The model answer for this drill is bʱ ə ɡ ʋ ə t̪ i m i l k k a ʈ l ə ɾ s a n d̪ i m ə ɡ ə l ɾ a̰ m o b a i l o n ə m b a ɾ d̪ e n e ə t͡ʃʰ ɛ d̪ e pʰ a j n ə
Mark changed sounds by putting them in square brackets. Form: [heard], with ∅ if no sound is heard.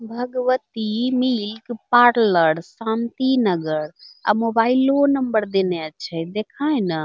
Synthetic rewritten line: bʱ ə ɡ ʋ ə t̪ i m i l k [p] a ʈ l ə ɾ s a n [t̪] i [n] ə ɡ ə [∅] ɾ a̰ m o b a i l o n ə m b [ə] ɾ d̪ e n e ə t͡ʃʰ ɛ d̪ e [kʰ] a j n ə